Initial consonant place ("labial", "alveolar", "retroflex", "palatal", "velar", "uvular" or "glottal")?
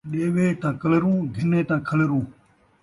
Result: alveolar